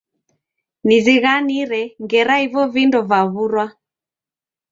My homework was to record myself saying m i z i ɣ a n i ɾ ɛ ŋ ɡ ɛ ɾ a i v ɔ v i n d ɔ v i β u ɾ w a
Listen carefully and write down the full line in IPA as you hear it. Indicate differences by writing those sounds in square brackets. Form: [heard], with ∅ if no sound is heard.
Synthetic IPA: [n] i z i ɣ a n i ɾ ɛ ŋ ɡ ɛ ɾ a i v ɔ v i n d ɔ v [a] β u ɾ w a